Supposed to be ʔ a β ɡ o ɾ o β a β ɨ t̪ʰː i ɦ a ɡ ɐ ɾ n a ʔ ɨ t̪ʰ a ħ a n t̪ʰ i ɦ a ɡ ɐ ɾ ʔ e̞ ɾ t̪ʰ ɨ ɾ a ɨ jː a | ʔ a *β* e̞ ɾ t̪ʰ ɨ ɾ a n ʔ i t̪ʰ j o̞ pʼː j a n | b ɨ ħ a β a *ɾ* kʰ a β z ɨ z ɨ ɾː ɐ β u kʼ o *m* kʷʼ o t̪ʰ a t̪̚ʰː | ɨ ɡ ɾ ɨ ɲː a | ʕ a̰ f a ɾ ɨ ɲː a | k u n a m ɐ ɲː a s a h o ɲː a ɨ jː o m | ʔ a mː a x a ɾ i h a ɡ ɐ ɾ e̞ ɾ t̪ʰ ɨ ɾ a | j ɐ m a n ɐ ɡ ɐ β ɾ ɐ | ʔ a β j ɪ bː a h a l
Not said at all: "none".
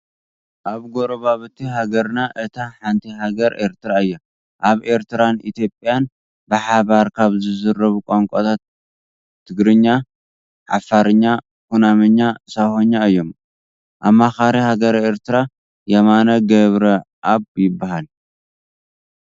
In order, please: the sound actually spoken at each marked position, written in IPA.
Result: β, ɾ, ŋ

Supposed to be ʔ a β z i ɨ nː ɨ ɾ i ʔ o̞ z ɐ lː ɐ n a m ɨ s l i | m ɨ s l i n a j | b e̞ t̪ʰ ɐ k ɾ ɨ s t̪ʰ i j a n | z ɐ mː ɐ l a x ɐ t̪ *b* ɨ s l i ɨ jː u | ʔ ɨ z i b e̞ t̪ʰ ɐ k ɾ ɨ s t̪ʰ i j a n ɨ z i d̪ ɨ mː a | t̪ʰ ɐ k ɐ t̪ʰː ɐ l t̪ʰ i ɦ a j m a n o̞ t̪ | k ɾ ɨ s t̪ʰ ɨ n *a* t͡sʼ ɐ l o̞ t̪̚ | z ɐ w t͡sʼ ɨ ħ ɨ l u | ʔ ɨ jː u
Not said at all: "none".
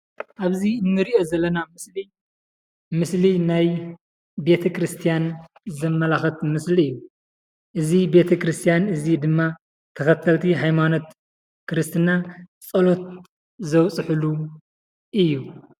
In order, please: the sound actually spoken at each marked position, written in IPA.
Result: m, a

